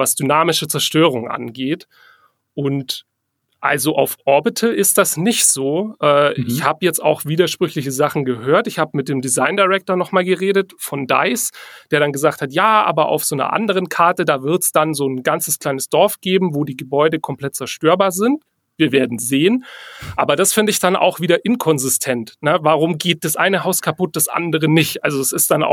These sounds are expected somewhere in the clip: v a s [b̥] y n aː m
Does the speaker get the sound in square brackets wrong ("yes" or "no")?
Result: yes